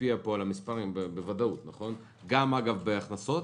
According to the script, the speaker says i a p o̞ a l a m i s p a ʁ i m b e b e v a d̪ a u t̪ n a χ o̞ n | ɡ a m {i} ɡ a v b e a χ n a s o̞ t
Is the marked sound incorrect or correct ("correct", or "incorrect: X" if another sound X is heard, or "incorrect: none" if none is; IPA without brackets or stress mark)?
incorrect: a